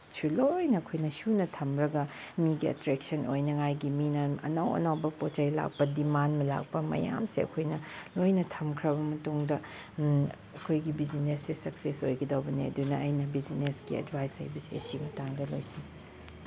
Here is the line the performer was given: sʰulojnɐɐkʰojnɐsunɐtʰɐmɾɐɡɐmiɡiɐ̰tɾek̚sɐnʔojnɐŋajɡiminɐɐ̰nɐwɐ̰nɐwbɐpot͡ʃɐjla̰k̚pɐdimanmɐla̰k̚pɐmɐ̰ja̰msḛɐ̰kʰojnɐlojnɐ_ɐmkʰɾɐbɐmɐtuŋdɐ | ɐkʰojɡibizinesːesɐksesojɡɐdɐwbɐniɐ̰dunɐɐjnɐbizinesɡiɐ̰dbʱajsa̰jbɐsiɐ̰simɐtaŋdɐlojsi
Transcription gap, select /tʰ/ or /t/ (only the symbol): tʰ